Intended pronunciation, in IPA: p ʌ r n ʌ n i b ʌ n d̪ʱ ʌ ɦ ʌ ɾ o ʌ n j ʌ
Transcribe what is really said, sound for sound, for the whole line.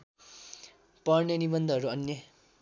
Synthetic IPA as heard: p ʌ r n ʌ n i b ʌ n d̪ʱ ʌ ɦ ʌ ɾ u ʌ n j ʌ